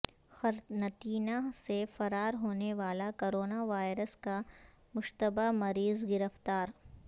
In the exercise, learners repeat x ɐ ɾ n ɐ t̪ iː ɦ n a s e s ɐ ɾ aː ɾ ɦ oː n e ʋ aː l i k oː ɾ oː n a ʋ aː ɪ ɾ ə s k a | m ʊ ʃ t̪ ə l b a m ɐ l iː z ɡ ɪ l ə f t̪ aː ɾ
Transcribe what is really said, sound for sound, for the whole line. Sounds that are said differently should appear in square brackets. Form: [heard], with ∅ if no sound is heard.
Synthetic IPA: x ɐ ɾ n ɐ t̪ iː [∅] n a s e [f] ɐ ɾ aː ɾ ɦ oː n e ʋ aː l [a] k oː ɾ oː n a ʋ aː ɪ ɾ ə s k a | m ʊ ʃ t̪ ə [∅] b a m ɐ [ɾ] iː z ɡ ɪ [ɾ] ə f t̪ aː ɾ